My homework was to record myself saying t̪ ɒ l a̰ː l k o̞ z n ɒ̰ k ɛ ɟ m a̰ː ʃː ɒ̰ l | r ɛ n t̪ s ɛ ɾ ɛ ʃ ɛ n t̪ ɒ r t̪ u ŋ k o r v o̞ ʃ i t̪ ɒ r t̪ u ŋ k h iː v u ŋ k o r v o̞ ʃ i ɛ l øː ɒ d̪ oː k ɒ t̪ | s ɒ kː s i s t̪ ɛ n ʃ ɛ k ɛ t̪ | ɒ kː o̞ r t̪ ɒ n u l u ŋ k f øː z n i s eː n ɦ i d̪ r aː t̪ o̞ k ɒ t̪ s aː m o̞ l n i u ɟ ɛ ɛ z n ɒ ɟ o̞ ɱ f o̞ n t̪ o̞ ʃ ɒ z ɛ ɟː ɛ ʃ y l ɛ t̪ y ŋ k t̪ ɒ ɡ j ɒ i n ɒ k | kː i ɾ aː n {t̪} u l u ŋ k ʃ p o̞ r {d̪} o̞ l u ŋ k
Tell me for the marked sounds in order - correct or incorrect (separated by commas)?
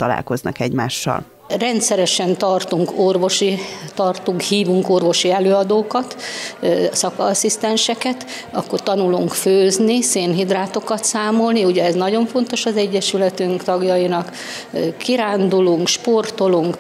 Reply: incorrect, incorrect